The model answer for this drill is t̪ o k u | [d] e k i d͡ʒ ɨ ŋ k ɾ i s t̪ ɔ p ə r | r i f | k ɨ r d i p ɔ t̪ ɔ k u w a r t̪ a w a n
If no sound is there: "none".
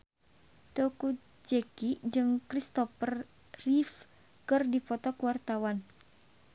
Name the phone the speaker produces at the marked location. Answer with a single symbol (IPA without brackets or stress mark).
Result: d͡ʒ